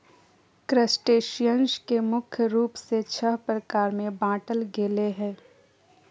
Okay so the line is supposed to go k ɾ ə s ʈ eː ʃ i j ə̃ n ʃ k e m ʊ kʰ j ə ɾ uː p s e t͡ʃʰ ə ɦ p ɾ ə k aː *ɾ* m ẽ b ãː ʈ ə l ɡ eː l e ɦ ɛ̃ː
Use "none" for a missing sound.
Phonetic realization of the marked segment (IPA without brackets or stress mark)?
ɾ